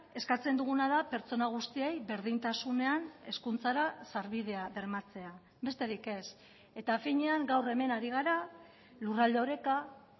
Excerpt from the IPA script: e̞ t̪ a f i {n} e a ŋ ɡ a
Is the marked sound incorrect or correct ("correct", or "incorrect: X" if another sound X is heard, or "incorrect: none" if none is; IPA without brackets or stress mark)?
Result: incorrect: ɲ